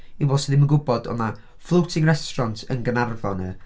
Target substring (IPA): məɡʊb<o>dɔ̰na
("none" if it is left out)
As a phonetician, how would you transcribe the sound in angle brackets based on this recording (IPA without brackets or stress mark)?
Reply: ɔ